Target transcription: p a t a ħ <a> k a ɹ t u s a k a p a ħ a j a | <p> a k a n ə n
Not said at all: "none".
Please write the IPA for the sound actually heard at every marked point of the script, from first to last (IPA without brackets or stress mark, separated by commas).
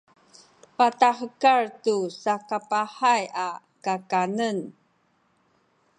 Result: ə, k